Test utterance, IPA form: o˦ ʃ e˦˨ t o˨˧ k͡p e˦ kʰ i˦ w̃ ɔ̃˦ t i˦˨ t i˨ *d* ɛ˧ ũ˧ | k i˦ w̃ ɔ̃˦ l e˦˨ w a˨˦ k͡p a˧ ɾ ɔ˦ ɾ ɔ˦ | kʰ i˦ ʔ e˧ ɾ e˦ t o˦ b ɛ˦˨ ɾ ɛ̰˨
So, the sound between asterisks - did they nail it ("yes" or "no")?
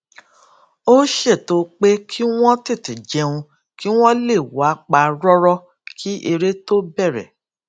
no